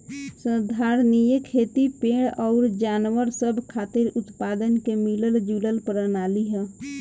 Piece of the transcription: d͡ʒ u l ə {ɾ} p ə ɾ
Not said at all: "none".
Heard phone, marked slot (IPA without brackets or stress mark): l